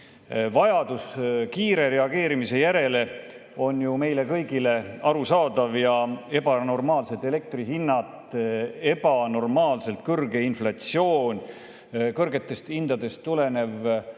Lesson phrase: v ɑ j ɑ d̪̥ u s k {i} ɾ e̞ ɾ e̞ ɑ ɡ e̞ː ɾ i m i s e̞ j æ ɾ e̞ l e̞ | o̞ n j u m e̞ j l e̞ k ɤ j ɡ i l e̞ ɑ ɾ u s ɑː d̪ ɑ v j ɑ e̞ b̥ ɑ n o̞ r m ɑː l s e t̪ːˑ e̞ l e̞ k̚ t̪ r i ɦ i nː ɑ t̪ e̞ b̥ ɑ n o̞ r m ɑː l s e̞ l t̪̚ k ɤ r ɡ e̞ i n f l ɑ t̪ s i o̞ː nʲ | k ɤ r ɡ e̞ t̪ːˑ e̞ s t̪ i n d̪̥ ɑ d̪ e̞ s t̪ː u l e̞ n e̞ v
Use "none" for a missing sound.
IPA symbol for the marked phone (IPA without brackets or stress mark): iː